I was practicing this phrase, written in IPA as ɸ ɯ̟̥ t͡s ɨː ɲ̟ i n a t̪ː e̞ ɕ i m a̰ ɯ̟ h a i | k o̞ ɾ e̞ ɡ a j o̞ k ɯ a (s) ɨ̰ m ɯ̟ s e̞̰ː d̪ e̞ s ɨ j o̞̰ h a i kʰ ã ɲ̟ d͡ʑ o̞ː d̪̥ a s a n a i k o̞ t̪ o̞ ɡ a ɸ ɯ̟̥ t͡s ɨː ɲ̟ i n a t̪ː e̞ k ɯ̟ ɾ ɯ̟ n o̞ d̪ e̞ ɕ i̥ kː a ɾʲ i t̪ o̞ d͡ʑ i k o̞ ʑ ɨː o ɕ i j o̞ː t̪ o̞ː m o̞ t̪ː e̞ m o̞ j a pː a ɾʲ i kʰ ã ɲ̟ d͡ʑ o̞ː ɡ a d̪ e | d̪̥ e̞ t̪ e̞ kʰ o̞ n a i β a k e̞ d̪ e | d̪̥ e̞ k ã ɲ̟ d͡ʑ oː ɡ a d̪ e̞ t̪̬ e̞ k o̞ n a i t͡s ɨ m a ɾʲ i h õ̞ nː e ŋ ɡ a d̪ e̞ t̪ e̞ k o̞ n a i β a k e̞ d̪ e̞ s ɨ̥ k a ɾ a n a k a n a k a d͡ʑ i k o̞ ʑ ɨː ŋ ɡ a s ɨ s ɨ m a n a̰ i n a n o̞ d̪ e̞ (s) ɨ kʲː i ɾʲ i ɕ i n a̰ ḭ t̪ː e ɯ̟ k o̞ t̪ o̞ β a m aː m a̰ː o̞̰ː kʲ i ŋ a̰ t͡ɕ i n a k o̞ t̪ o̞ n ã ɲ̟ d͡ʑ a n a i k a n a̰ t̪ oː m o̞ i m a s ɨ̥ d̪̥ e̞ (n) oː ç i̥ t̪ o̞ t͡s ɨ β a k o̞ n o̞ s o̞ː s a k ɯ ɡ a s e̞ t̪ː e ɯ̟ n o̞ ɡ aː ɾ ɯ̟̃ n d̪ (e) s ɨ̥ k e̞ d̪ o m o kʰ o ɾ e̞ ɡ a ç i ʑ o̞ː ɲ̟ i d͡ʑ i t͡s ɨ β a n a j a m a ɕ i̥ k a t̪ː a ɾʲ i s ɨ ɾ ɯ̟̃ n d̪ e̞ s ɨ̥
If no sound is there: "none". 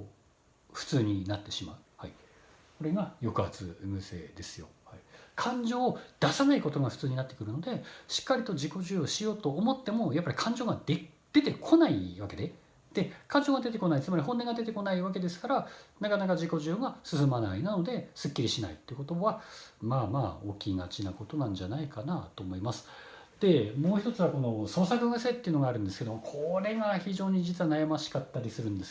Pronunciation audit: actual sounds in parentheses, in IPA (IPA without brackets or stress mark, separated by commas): t͡s, s, m, e